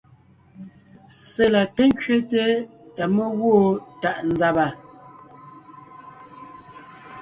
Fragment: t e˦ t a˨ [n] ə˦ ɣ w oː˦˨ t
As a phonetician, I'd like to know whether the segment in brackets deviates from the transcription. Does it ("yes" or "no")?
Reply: yes